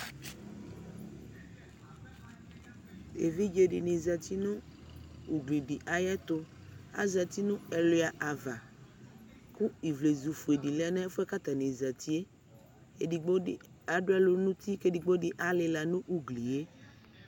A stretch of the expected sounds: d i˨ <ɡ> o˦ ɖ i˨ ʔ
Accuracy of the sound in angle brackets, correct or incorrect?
incorrect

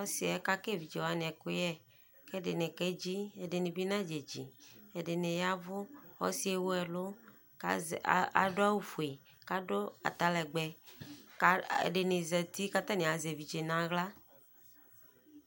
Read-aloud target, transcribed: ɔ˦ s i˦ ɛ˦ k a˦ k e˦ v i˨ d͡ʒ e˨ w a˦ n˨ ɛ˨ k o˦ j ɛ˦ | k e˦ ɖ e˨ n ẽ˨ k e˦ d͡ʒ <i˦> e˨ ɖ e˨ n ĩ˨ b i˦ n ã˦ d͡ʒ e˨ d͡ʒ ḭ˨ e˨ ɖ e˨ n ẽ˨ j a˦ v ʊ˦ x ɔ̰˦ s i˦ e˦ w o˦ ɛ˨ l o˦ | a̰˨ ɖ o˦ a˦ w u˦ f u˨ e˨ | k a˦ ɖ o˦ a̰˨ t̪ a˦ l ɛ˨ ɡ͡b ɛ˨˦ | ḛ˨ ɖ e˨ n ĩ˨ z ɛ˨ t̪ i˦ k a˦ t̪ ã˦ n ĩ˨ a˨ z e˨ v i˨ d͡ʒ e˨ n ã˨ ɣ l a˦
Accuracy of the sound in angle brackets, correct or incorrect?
correct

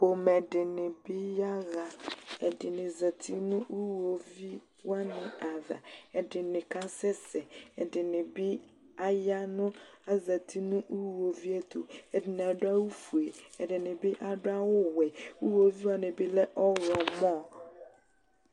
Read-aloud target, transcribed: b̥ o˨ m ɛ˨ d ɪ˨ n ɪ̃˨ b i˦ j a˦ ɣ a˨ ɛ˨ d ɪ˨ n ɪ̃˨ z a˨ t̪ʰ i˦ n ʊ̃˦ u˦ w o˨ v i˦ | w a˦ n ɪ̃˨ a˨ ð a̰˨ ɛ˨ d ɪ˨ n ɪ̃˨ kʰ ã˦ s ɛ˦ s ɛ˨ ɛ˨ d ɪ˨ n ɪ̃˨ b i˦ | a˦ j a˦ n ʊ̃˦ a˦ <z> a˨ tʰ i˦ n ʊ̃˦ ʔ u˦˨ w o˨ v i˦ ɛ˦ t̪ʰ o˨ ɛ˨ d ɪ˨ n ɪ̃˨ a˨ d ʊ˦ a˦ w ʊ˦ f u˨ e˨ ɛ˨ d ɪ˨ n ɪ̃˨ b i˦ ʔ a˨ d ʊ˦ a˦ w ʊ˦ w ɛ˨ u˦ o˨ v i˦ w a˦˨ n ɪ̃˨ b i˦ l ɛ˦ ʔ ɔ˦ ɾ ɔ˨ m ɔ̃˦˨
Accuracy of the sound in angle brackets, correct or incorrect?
correct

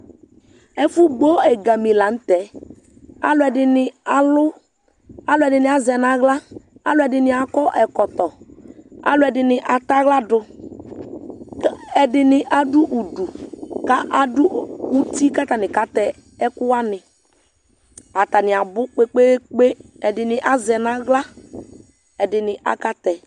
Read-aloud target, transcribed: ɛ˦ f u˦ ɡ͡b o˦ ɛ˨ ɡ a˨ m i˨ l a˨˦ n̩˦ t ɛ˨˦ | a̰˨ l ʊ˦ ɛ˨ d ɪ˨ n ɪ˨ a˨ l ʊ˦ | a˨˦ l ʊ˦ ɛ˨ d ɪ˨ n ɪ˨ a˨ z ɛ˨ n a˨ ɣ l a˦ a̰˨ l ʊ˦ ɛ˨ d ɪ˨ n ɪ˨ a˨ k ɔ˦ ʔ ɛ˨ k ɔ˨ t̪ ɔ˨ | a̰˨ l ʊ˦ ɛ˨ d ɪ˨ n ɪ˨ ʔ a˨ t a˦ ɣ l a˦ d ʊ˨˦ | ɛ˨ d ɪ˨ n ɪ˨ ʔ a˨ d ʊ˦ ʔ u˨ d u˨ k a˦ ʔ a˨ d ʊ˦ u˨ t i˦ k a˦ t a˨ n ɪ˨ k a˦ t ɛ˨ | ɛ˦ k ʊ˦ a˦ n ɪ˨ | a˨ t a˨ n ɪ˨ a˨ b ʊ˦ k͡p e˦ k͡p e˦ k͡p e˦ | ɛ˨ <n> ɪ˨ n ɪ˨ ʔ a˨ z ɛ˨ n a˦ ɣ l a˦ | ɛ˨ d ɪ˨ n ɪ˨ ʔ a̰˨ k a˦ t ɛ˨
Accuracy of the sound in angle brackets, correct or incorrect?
incorrect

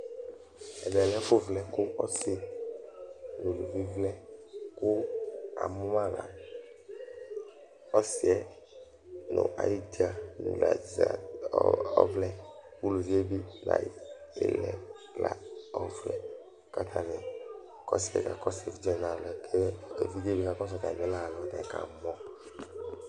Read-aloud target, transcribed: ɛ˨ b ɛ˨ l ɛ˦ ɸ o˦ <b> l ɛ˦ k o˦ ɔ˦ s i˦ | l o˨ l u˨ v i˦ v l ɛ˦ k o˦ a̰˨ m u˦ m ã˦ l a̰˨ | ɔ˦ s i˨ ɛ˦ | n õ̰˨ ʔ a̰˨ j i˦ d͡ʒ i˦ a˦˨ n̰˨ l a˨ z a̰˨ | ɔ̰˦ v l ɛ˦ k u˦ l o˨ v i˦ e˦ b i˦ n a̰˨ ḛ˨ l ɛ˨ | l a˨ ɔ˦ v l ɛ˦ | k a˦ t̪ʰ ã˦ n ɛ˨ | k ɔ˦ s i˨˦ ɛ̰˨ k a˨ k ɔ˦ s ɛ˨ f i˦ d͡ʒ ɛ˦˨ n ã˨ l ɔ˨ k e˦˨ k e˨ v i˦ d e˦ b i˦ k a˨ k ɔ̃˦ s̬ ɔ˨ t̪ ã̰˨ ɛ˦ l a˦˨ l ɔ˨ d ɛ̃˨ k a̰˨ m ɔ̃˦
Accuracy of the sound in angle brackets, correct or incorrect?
incorrect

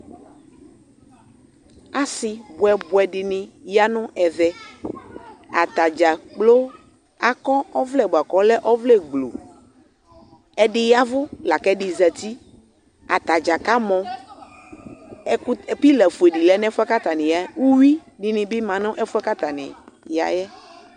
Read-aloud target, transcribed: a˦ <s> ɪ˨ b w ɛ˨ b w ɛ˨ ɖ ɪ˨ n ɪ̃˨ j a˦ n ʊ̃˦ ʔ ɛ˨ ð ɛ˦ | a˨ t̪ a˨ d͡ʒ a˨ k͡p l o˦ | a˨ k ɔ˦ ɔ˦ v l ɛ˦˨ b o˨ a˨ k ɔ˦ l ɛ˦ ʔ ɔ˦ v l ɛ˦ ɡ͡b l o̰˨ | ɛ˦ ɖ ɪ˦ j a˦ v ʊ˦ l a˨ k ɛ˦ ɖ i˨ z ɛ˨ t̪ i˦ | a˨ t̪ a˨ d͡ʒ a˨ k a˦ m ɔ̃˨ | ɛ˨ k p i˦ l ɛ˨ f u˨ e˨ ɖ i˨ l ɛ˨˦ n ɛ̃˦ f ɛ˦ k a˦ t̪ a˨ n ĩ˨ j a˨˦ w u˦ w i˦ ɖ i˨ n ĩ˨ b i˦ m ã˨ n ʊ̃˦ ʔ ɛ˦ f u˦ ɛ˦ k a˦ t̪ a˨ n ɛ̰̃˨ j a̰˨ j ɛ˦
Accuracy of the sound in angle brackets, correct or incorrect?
correct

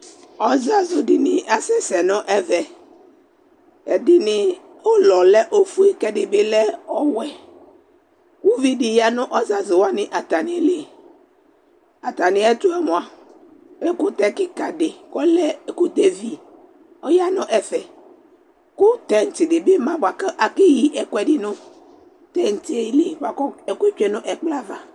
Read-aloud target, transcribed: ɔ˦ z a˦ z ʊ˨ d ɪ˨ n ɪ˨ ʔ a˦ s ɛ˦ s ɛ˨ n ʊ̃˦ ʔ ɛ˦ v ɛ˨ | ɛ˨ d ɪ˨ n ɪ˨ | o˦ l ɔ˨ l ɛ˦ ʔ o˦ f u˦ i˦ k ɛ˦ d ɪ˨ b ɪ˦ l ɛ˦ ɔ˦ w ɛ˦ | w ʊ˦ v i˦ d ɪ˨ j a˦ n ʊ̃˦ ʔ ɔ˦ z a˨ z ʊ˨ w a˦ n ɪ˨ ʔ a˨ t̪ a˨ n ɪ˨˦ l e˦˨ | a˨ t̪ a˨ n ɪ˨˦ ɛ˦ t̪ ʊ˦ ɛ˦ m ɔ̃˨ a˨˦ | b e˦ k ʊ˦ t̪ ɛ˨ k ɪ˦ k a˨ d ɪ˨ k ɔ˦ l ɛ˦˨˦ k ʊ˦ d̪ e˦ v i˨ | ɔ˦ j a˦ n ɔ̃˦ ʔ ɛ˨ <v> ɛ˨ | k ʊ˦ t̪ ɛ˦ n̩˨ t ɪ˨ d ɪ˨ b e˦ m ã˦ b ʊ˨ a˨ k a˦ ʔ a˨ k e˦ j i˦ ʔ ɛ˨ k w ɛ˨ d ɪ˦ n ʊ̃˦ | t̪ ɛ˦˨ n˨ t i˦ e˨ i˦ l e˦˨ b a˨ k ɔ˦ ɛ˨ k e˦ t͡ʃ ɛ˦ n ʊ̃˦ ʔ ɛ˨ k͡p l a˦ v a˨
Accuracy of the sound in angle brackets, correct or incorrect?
incorrect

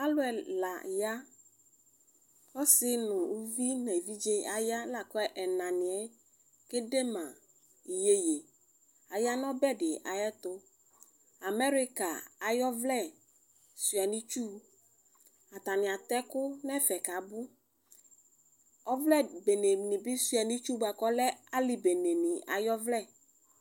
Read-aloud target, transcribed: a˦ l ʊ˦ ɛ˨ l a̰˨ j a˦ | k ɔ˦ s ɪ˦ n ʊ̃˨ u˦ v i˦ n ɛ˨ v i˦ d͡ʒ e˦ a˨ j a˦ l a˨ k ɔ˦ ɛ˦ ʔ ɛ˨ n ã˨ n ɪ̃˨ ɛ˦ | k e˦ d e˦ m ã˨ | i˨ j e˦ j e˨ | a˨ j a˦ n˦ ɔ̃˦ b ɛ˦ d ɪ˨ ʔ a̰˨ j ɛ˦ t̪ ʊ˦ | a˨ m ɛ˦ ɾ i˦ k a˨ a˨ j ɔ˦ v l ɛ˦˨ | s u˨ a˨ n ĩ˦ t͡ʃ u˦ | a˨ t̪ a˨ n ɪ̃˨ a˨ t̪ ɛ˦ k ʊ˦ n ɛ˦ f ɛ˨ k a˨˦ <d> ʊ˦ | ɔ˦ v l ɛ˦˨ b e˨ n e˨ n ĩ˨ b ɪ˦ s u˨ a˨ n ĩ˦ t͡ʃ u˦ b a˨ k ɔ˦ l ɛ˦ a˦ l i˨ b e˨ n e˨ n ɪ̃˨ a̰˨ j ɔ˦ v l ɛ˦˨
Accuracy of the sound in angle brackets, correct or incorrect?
incorrect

